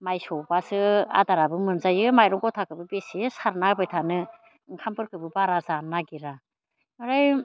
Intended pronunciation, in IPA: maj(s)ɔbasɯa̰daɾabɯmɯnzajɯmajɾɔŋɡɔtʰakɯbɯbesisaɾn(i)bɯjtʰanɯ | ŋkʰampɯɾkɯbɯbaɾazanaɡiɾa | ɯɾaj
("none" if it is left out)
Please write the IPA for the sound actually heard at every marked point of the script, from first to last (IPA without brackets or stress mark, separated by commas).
s, a